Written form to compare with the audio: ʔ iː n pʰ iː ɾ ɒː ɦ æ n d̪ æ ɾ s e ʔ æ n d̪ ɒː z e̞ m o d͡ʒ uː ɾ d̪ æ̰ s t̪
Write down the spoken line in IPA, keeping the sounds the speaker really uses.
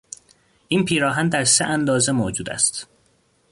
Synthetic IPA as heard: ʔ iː n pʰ iː ɾ ɒː ɦ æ n d̪ æ ɾ s e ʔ æ n d̪ ɒː z e̞ m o d͡ʒ uː d̪ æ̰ s t̪